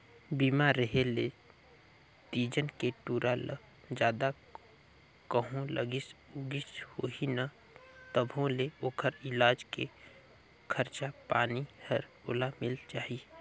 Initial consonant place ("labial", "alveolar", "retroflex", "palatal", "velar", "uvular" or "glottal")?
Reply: labial